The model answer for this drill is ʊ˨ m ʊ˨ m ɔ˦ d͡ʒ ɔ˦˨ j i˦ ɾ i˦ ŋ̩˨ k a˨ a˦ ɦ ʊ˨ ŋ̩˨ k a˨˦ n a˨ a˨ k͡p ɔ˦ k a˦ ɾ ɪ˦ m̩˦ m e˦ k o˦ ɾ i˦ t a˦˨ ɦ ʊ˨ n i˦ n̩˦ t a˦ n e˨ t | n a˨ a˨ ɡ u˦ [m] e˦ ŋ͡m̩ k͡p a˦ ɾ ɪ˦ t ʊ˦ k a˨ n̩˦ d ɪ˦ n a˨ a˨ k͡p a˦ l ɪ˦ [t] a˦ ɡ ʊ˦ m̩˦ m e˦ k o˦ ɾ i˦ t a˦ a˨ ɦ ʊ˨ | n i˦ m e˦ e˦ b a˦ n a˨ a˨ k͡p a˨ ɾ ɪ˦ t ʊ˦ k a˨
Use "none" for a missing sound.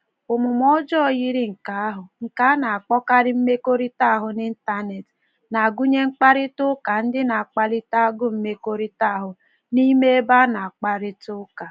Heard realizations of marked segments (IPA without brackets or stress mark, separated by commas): ɲ, t